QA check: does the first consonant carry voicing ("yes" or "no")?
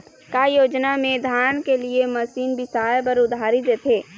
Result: no